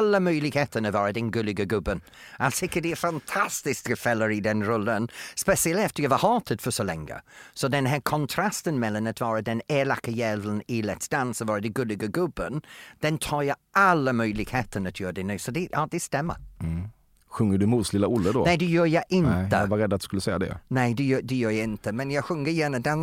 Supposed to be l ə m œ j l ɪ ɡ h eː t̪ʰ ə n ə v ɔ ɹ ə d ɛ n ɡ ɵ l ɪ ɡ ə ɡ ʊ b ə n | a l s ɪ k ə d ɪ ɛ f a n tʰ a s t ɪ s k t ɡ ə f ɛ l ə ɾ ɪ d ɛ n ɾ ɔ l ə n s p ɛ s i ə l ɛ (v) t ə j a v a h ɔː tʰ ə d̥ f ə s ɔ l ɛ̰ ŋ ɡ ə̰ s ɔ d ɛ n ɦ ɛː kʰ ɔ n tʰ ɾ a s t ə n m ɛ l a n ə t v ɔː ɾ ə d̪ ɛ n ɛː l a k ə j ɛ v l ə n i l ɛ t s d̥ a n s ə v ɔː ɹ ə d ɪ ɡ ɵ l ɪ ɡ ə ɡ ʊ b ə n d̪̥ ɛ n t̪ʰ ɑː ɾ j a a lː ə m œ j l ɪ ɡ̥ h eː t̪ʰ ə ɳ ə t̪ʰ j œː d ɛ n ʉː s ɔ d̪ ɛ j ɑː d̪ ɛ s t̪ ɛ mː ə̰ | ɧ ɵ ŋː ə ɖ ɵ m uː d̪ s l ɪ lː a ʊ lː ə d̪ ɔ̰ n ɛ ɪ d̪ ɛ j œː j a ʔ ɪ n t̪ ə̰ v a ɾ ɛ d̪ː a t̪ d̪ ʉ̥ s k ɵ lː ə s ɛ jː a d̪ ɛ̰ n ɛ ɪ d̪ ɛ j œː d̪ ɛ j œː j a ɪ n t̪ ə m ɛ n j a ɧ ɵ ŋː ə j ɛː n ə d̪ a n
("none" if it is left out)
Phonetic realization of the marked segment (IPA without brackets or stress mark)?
f